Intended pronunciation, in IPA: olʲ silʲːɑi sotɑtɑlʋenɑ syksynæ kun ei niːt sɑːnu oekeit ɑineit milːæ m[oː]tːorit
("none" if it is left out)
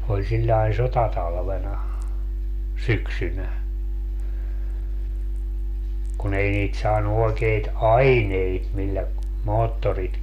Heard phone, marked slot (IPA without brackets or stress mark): oː